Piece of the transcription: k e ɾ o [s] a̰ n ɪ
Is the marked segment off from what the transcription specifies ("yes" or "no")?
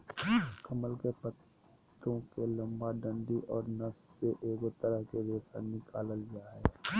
no